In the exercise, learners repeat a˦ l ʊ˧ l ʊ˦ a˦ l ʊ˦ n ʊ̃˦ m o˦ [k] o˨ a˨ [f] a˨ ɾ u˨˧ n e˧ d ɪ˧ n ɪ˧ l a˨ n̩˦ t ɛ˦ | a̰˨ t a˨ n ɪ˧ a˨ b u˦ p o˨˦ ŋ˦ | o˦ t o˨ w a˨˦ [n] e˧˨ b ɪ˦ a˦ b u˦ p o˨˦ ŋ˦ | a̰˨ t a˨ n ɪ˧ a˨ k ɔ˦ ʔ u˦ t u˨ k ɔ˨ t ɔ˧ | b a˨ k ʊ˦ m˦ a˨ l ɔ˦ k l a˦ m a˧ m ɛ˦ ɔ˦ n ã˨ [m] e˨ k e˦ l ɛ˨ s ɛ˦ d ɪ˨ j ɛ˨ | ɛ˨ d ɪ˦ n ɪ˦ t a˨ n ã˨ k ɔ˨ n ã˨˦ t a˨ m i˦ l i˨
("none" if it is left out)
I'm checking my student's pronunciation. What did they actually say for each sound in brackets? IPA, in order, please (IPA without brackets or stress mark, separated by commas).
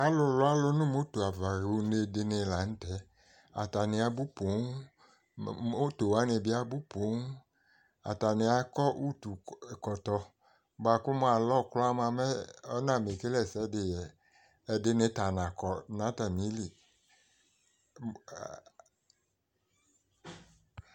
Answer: t, v, n, m